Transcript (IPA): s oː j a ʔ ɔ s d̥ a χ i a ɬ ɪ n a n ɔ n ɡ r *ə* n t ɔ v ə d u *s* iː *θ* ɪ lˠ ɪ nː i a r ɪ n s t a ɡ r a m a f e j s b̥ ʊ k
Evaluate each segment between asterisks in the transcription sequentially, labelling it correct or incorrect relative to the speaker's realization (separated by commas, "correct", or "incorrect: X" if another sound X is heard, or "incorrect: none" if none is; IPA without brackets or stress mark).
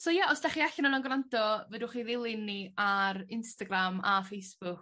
incorrect: a, incorrect: χ, incorrect: ð